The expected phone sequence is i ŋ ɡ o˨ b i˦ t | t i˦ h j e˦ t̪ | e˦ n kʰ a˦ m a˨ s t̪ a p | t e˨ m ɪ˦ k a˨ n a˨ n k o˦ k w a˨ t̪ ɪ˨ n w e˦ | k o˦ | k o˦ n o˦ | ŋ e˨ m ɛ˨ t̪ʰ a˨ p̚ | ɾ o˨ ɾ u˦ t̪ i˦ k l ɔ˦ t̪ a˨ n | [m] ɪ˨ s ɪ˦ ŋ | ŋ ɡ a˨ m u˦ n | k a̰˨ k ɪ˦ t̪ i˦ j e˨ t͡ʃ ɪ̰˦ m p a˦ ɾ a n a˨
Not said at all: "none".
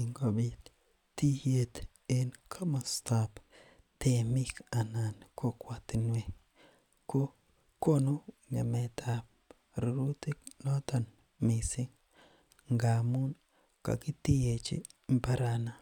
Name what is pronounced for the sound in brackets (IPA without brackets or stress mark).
m